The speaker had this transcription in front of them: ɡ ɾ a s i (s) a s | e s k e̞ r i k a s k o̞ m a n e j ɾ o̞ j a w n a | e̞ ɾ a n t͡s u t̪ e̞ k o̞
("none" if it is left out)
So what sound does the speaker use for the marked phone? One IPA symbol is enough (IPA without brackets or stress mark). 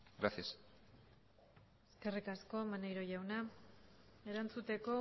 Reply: none